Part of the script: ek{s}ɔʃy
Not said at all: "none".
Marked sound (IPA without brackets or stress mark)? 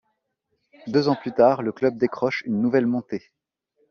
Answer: χ